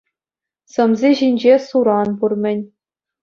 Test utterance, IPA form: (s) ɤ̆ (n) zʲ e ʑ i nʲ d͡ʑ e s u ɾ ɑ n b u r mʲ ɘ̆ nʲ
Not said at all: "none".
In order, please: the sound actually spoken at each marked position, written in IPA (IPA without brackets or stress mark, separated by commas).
s, m